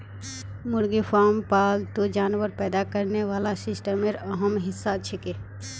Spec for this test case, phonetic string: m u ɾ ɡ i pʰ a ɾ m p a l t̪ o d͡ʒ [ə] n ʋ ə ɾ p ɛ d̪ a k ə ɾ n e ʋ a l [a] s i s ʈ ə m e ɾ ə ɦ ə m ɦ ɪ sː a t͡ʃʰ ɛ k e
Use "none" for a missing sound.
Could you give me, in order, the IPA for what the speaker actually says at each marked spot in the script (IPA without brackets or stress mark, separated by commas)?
a, a